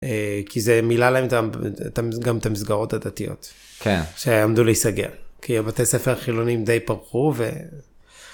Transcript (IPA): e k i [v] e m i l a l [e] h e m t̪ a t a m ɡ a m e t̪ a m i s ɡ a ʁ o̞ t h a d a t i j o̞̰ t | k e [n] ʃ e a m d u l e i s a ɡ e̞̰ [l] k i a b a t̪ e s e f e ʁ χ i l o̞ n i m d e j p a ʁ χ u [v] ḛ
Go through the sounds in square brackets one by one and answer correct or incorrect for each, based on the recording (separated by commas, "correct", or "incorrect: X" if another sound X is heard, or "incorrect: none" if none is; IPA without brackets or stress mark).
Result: incorrect: z, incorrect: a, correct, correct, correct